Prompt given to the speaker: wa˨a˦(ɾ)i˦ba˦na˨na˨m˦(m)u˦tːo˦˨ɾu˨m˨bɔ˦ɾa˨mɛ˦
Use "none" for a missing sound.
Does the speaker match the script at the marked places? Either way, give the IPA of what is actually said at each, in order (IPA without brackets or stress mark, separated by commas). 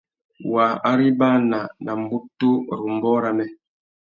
ɾ, b